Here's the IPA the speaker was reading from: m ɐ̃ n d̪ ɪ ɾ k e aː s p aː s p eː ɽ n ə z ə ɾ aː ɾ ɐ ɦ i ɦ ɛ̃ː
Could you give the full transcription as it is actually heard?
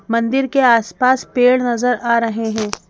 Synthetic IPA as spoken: m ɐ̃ n d̪ ɪ ɾ k e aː s p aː s p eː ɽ n ɐ z ə ɾ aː ɾ ɐ ɦ e ɦ ɛ̃ː